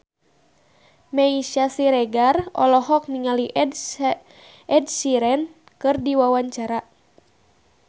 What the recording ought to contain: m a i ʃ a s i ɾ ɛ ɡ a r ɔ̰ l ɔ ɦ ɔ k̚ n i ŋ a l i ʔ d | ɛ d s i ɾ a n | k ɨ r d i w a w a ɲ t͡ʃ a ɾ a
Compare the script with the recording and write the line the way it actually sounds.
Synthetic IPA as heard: m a i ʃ a s i ɾ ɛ ɡ a r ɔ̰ l ɔ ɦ ɔ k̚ n i ŋ a l i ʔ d | ɛ d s i ɾ ɛ n | k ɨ r d i w a w a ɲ t͡ʃ a ɾ a